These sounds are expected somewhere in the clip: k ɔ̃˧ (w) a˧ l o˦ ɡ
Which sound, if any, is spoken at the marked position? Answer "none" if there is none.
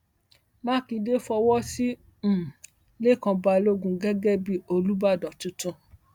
b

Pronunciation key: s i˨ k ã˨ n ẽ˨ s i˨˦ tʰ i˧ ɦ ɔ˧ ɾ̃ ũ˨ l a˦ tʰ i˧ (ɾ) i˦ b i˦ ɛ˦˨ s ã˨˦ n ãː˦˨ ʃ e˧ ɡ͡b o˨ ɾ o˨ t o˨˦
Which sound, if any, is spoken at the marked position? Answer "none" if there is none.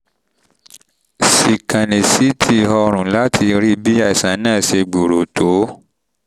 ɾ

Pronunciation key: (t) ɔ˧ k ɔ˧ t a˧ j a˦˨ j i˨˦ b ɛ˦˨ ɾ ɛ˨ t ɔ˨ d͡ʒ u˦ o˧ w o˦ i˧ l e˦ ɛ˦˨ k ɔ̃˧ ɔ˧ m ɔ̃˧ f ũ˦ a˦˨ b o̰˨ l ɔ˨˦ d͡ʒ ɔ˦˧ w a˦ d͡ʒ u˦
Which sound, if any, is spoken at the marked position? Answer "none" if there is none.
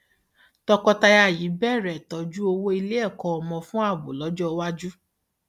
t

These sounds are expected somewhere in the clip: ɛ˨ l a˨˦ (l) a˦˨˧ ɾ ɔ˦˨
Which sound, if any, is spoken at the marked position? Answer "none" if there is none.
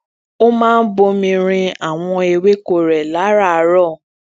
ɾ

